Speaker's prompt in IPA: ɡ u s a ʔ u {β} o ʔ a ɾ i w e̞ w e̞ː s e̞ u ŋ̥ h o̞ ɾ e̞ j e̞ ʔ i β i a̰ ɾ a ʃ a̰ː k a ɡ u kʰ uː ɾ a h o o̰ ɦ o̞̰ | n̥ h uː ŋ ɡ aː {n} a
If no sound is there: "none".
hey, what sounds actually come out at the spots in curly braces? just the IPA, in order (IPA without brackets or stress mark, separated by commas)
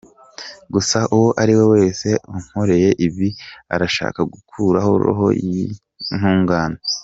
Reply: w, n